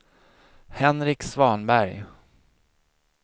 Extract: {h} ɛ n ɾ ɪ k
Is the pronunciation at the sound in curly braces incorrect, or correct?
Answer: correct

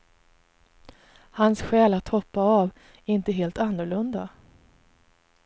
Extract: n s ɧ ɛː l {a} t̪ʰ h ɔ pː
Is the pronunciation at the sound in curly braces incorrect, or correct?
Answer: correct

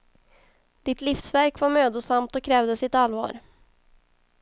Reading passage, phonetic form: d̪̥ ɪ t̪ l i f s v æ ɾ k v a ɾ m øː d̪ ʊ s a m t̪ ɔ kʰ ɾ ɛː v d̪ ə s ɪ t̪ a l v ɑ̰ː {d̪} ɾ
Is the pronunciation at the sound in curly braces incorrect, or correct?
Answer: incorrect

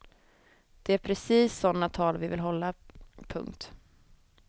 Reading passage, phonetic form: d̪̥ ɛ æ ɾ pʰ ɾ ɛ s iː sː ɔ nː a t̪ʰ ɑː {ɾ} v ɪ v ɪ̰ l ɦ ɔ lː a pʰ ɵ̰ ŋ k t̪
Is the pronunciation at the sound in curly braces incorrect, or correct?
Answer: incorrect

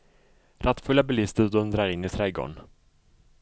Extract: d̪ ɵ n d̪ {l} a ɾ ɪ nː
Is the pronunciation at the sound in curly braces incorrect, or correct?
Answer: incorrect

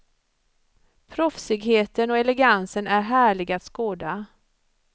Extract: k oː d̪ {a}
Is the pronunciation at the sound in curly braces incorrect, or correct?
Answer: correct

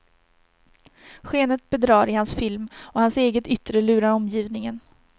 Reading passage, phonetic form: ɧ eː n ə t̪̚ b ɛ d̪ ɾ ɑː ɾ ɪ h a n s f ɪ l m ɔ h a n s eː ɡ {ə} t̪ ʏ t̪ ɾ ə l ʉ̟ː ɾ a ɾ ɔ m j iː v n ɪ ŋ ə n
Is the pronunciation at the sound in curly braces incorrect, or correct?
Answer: correct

